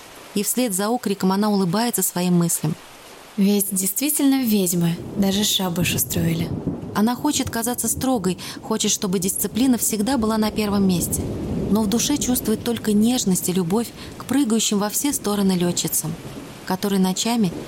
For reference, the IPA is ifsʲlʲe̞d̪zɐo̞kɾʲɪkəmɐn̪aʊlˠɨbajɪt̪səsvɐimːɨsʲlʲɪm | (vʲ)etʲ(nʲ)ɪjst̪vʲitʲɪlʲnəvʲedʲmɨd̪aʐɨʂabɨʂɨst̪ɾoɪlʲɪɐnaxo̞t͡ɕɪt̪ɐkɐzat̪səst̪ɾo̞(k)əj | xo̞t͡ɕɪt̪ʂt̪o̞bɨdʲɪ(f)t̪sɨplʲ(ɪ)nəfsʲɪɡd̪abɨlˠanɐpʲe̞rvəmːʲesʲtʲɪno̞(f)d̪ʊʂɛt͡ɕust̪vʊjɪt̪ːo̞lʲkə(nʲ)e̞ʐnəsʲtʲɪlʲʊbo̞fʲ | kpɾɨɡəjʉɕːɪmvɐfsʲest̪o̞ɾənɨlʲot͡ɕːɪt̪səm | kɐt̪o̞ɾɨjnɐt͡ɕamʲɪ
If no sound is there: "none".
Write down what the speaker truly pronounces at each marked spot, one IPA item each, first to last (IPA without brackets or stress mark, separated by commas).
vʲ, dʲ, ɡ, s, i, v, nʲ